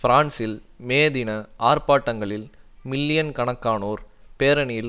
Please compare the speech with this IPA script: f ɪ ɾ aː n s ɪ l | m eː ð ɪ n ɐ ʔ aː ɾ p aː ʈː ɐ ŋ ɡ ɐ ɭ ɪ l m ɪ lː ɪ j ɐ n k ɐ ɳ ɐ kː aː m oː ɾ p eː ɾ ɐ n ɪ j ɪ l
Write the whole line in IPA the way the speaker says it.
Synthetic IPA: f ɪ ɾ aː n s ɪ l | m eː ð ɪ n ɐ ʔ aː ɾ p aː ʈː ɐ ŋ ɡ ɐ ɭ ɪ l m ɪ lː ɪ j ɐ n k ɐ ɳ ɐ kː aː n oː ɾ p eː ɾ ɐ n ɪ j ɪ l

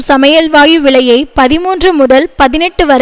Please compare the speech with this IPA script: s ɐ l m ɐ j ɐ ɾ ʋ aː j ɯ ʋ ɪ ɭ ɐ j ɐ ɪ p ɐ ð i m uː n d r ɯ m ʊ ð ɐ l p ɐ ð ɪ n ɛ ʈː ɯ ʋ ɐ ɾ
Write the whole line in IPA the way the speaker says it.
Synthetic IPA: s ɐ m ɐ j ɐ l ʋ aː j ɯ ʋ ɪ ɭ ɐ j ɐ ɪ p ɐ ð ɪ m uː n d r ɯ m ʊ ð ɐ l p ɐ ð ɪ n ɛ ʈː ɯ ʋ ɐ ɾ

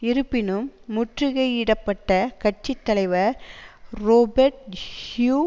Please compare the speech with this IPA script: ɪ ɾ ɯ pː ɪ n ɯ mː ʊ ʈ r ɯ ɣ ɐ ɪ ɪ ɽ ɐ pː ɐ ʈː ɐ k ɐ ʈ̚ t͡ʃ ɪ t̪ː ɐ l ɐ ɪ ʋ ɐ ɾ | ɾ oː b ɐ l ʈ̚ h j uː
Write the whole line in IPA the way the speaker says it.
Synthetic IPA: ɪ ɾ ɯ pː ɪ n ɯ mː ʊ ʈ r ɯ ɣ ɐ ɪ ɪ ɽ ɐ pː ɐ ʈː ɐ k ɐ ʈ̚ t͡ʃ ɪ t̪ː ɐ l ɐ ɪ ʋ ɐ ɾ | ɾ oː b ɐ ɾ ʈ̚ h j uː

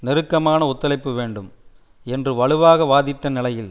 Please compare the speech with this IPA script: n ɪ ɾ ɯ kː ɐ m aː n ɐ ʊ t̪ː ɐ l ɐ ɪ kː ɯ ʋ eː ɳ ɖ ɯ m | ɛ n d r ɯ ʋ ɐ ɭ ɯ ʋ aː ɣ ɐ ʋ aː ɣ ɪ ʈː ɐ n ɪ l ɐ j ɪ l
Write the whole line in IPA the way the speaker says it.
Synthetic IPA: n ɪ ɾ ɯ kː ɐ m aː n ɐ ʊ t̪ː ɐ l ɐ ɪ pː ɯ ʋ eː ɳ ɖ ɯ m | ɛ n d r ɯ ʋ ɐ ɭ ɯ ʋ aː ɣ ɐ ʋ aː ð ɪ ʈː ɐ n ɪ l ɐ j ɪ l

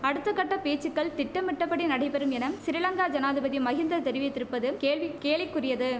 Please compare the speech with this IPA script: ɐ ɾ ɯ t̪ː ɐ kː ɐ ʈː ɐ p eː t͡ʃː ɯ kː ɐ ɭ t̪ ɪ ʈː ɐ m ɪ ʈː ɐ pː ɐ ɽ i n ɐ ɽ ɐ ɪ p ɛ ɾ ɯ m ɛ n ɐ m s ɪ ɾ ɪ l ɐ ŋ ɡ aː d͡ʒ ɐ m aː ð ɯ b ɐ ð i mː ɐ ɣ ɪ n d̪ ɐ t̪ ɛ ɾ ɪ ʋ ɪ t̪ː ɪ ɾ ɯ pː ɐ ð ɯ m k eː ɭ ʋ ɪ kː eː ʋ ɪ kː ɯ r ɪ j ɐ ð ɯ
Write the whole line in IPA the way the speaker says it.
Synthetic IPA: ɐ ɽ ɯ t̪ː ɐ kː ɐ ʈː ɐ p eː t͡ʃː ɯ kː ɐ ɭ t̪ ɪ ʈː ɐ m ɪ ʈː ɐ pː ɐ ɽ i n ɐ ɽ ɐ ɪ p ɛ ɾ ɯ m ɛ n ɐ m s ɪ ɾ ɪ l ɐ ŋ ɡ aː d͡ʒ ɐ n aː ð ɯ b ɐ ð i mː ɐ ɣ ɪ n d̪ ɐ t̪ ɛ ɾ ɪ ʋ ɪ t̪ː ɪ ɾ ɯ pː ɐ ð ɯ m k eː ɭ ʋ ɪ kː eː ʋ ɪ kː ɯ r ɪ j ɐ ð ɯ

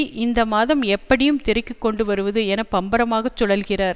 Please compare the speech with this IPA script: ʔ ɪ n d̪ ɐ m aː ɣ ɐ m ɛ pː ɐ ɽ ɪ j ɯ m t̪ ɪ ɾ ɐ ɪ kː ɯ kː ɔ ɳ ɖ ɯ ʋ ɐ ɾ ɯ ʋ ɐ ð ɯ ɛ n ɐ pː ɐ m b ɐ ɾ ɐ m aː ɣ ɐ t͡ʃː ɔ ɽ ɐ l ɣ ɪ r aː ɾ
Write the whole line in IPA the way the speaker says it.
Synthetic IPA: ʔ ɪ n d̪ ɐ m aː ð ɐ m ɛ pː ɐ ɽ ɪ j ɯ m t̪ ɪ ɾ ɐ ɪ kː ɯ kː ɔ ɳ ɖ ɯ ʋ ɐ ɾ ɯ ʋ ɐ ð ɯ ɛ n ɐ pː ɐ m b ɐ ɾ ɐ m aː ɣ ɐ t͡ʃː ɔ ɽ ɐ l ɣ ɪ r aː ɾ

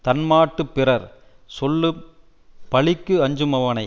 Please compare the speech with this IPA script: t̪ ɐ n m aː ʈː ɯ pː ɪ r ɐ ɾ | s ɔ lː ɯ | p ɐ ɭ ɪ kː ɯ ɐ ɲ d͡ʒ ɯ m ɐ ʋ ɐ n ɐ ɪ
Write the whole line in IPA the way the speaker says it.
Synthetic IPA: t̪ ɐ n m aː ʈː ɯ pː ɪ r ɐ ɾ | s ɔ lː ɯ | p ɐ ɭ ɪ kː ɯ ɐ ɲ d͡ʒ ɯ m ɐ ʋ ɐ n ɐ ɪ

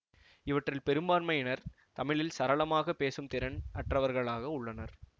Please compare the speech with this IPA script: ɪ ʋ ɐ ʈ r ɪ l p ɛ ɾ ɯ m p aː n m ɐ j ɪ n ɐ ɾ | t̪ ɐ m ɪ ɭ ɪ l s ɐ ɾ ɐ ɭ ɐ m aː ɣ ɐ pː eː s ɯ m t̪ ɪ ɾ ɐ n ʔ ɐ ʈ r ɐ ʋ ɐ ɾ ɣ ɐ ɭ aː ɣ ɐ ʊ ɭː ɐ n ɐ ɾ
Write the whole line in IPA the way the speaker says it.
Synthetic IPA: ɪ ʋ ɐ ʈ r ɪ l p ɛ ɾ ɯ m b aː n m ɐ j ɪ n ɐ ɾ | t̪ ɐ m ɪ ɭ ɪ l s ɐ ɾ ɐ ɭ ɐ m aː ɣ ɐ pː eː s ɯ m t̪ ɪ ɾ ɐ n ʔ ɐ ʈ r ɐ ʋ ɐ ɾ ɣ ɐ ɭ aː ɣ ɐ ʊ ɭː ɐ n ɐ ɾ

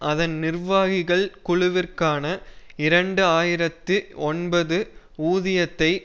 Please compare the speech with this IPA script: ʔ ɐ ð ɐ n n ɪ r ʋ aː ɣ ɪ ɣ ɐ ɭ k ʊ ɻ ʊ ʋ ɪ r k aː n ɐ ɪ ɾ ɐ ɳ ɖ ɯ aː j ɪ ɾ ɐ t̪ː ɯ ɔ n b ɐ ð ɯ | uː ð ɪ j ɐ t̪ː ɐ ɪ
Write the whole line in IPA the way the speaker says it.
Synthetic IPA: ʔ ɐ ð ɐ n n ɪ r ʋ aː ɣ ɪ ɣ ɐ ɭ k ʊ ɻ ʊ ʋ ɪ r k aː n ɐ ɪ ɾ ɐ ɳ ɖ ɯ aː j ɪ ɾ ɐ t̪ː ɯ ɔ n b ɐ ð ɯ | uː ð ɪ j ɐ t̪ː ɐ ɪ

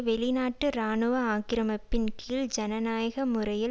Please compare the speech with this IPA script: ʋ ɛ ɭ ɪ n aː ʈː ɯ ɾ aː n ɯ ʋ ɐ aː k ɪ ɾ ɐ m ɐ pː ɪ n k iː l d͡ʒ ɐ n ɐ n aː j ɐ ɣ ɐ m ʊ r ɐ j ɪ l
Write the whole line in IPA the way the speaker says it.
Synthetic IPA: ʋ ɛ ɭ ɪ n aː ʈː ɯ ɾ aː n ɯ ʋ ɐ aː k ɪ ɾ ɐ m ɐ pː ɪ n k iː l d͡ʒ ɐ n ɐ n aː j ɐ ɣ ɐ m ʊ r ɐ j ɪ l

